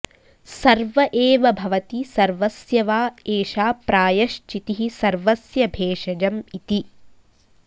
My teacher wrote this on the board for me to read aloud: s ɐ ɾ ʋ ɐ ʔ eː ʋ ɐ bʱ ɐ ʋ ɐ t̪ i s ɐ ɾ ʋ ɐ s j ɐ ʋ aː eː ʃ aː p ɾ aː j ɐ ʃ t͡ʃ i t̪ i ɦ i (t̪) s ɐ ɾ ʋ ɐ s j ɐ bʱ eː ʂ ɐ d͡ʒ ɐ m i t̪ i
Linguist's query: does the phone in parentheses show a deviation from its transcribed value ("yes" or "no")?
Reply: yes